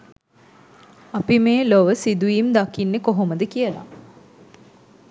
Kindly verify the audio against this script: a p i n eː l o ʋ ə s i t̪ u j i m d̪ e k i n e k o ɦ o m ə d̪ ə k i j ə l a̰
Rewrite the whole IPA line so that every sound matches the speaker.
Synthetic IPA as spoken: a p i m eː l o ʋ ə s i d̪ u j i m d̪ a k i nː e k o ɦ o m ə d̪ ə k i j ə l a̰